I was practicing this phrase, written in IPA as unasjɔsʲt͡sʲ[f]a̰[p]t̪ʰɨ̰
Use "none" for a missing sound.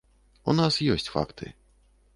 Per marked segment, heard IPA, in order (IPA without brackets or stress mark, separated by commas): f, k